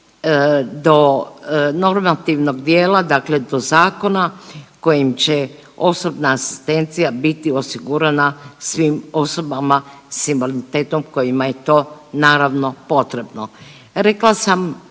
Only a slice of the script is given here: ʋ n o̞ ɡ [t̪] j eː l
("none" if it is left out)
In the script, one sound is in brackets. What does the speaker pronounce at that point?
d̪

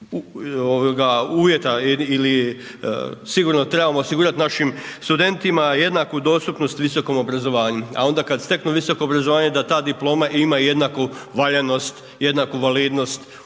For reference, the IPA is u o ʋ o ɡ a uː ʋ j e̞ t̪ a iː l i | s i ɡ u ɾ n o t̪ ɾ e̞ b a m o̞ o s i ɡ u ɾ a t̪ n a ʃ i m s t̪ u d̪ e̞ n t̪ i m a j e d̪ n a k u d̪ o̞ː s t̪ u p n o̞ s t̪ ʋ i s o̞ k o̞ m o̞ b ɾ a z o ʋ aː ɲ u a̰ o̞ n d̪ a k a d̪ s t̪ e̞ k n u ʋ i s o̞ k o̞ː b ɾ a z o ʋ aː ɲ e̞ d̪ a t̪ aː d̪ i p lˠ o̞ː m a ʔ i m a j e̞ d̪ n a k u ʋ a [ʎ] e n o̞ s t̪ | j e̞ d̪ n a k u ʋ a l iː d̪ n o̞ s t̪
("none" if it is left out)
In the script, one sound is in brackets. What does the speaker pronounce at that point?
ʎ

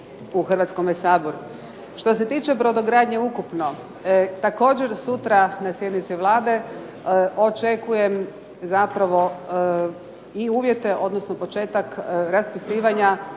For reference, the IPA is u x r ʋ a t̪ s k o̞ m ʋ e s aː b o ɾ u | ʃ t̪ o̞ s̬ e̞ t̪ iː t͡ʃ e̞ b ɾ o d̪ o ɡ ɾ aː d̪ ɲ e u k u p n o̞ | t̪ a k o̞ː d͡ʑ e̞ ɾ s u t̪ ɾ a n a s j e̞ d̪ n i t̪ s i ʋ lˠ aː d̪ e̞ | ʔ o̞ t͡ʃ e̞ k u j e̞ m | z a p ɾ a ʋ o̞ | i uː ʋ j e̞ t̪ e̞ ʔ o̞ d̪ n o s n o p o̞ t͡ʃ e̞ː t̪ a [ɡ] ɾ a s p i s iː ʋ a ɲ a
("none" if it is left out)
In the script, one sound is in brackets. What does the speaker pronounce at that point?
k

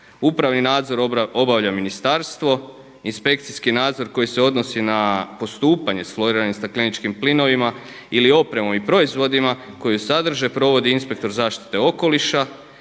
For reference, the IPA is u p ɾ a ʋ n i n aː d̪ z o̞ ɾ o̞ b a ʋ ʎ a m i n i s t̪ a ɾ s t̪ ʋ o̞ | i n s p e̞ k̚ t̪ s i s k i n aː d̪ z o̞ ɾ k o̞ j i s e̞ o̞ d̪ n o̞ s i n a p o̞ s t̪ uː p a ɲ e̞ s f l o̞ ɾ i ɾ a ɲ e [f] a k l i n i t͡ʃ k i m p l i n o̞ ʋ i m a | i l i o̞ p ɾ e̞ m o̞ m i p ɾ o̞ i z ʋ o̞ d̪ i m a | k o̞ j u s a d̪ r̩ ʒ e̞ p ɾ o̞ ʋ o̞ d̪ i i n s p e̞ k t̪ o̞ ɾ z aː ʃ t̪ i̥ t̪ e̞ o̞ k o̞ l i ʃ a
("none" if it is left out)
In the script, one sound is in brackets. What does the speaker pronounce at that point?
s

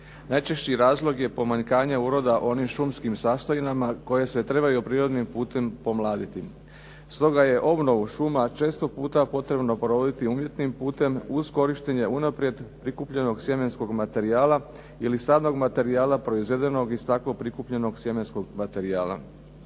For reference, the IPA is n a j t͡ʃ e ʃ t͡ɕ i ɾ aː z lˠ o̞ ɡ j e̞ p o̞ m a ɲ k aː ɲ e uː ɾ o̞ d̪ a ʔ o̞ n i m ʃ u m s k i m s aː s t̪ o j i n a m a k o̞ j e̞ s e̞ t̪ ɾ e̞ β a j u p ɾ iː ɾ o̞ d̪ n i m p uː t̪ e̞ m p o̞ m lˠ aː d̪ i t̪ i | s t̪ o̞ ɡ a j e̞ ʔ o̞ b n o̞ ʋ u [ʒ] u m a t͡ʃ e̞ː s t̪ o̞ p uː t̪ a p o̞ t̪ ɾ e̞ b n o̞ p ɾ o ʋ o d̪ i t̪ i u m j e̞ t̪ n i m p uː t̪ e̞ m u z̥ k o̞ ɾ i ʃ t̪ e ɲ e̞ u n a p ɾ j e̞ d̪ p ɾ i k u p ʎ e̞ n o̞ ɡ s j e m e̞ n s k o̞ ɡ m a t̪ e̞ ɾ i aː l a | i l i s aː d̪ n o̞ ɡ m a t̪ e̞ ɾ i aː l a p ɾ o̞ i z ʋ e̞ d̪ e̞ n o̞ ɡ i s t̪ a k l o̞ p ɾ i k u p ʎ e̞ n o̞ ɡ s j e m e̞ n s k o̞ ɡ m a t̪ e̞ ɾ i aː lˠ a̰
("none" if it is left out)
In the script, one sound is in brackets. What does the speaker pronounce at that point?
ʃ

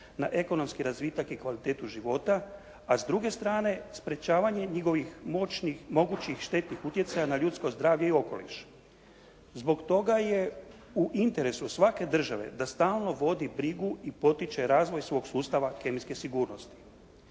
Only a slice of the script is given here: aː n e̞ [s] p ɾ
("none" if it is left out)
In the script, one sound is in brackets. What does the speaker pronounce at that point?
s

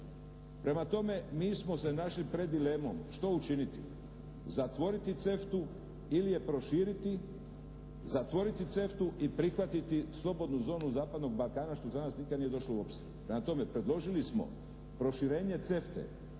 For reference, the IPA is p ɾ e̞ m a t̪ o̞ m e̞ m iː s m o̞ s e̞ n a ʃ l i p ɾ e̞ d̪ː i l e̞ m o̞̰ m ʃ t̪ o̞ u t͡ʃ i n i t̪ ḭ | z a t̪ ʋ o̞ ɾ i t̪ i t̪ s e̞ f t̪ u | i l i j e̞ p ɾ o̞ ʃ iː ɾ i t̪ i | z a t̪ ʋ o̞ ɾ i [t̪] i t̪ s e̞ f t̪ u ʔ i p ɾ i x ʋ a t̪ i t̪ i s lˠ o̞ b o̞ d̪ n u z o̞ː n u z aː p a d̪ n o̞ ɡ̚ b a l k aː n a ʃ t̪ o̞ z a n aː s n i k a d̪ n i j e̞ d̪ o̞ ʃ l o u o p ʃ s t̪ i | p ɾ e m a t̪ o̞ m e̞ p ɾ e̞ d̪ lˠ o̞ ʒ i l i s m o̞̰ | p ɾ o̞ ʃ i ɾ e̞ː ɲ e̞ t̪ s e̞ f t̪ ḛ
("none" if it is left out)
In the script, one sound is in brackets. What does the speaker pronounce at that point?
t̪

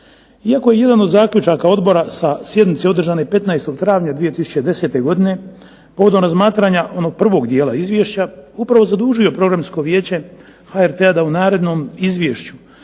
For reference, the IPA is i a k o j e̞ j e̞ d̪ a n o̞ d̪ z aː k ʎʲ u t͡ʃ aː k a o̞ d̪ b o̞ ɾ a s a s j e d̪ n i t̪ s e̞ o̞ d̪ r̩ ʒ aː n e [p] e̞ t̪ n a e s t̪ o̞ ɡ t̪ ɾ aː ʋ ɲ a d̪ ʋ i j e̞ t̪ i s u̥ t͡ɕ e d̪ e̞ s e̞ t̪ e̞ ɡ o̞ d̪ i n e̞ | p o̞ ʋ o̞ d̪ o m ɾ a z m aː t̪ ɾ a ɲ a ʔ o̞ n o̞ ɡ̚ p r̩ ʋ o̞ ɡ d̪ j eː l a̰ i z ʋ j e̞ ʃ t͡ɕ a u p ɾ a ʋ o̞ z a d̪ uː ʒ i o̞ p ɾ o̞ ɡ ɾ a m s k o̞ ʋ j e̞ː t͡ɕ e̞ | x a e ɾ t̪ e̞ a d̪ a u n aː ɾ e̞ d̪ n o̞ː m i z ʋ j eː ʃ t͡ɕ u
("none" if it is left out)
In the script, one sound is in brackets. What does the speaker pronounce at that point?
p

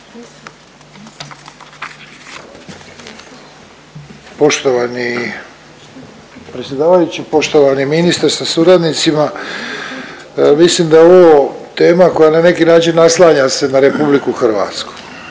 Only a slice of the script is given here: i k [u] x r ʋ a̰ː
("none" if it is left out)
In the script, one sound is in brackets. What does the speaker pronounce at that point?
u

